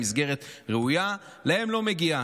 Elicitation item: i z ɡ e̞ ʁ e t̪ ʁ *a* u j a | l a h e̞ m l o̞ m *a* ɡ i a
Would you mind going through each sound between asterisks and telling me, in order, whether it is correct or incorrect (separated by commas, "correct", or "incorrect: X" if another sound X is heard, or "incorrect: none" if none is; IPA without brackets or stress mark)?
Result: incorrect: e, incorrect: e